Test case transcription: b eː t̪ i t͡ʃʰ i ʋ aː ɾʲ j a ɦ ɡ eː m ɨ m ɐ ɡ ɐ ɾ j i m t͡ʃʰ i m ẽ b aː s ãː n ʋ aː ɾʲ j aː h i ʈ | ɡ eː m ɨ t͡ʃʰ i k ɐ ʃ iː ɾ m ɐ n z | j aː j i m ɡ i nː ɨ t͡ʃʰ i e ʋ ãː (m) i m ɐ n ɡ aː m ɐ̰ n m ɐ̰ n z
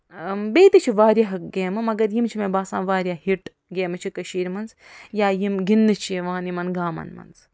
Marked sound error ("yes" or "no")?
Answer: yes